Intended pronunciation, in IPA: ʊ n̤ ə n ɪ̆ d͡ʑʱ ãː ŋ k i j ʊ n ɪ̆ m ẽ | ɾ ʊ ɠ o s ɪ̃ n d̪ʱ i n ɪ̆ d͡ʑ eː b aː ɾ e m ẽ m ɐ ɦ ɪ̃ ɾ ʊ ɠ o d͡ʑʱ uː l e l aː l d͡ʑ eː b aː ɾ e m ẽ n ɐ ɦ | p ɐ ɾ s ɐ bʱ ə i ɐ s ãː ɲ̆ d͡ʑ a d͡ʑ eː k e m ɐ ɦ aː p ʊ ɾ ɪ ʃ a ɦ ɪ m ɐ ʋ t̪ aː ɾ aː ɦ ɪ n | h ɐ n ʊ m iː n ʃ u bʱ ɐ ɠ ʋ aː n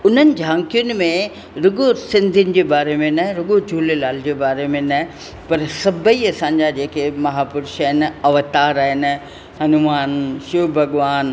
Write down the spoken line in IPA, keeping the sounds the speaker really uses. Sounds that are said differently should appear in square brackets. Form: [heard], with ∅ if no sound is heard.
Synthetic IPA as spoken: ʊ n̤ ə n ɪ̆ d͡ʑʱ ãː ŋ k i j ʊ n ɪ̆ m ẽ | ɾ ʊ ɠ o s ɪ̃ n d̪ʱ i n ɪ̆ d͡ʑ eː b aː ɾ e m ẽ [n] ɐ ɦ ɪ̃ ɾ ʊ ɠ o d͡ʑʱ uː l e l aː l d͡ʑ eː b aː ɾ e m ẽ n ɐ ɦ | p ɐ ɾ s ɐ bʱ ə i ɐ s ãː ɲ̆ d͡ʑ a d͡ʑ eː k e m ɐ ɦ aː p ʊ ɾ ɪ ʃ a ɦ ɪ [n] ɐ ʋ t̪ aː ɾ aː ɦ ɪ n | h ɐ n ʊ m [aː] n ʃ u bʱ ɐ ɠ ʋ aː n